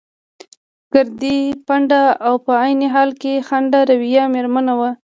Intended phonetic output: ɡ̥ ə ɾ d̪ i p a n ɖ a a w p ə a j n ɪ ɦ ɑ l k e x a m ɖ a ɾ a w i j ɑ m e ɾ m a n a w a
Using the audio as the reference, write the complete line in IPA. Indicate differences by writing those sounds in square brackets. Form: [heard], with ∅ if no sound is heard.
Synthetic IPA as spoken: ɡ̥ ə ɾ d̪ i p a [ɳ] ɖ a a w p ə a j n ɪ ɦ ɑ l k e x a [ɳ] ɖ a ɾ a w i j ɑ m e ɾ m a n a w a

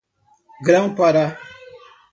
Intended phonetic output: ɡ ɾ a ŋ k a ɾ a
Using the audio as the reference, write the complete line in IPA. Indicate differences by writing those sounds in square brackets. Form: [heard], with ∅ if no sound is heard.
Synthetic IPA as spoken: ɡ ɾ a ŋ [p] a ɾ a

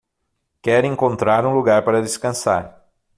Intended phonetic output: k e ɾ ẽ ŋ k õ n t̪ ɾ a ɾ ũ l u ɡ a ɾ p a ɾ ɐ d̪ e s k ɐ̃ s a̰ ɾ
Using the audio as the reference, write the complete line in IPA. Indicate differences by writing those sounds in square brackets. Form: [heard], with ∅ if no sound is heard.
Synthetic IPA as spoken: k [ɛ] ɾ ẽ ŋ k õ n t̪ ɾ a ɾ ũ l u ɡ a ɾ p a ɾ ɐ d̪ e s k ɐ̃ s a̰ ɾ

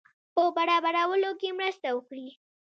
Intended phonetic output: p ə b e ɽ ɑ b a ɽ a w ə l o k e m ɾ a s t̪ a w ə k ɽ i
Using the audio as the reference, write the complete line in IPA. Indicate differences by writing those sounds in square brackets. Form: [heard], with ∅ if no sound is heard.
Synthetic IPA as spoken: p ə b [a] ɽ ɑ b a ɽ a w ə l o k e m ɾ [ə] s t̪ a w ə k ɽ i

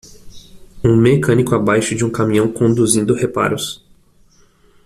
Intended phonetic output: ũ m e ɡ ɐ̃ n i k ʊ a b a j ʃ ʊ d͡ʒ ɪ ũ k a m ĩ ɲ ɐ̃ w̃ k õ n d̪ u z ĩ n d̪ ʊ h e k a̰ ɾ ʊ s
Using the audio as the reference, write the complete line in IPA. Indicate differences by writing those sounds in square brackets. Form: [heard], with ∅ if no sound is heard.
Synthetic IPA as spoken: ũ m e [k] ɐ̃ n i k ʊ a b a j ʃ ʊ d͡ʒ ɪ ũ k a m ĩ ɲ ɐ̃ w̃ k õ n d̪ u z ĩ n d̪ ʊ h e [p] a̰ ɾ ʊ s

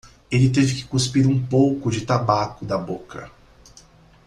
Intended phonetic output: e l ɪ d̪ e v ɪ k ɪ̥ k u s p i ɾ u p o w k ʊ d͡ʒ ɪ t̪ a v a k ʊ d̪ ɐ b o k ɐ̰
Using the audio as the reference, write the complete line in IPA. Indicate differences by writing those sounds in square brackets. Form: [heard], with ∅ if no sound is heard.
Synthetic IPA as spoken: e l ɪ [t̪] e v ɪ k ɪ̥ k u s p i ɾ [ũ] p o w k ʊ d͡ʒ ɪ t̪ a [b] a k ʊ d̪ ɐ b o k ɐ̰

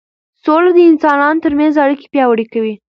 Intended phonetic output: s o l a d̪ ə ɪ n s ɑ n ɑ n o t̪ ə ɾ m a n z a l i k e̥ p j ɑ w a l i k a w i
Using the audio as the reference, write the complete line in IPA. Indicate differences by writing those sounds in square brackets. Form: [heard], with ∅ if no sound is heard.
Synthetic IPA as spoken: s o l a d̪ ə ɪ n s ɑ n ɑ n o t̪ ə ɾ m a n z a [ɽ] i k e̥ p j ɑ w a [ɽ] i k a w i

